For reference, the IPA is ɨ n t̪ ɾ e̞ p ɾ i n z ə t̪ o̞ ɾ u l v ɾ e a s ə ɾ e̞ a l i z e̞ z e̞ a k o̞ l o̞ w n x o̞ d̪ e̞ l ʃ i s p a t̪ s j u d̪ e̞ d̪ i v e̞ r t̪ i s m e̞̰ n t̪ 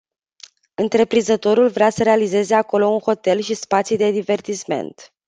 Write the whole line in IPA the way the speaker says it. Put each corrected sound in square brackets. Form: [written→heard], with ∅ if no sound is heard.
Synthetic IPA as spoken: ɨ n t̪ ɾ e̞ p ɾ i n z ə t̪ o̞ ɾ u l v ɾ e a s ə ɾ e̞ a l i z e̞ z e̞ a k o̞ l o̞ [w→u] n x o̞ [d̪→t̪] e̞ l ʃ i s p a t̪ s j u d̪ e̞ d̪ i v e̞ r t̪ i s m e̞̰ n t̪